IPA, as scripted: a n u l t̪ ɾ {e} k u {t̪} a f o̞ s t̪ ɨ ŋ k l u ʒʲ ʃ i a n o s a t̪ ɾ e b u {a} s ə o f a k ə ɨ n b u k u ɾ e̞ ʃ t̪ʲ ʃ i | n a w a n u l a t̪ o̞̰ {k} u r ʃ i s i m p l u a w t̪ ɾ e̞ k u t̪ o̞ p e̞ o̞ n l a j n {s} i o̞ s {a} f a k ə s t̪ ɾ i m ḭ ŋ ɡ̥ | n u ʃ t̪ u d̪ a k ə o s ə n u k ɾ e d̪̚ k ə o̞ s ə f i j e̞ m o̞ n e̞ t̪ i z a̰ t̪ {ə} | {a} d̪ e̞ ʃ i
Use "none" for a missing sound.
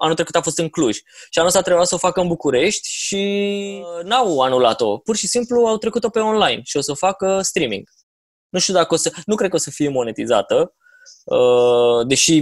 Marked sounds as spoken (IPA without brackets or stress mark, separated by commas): e, t̪, a, p, ʃ, ə, ə, ə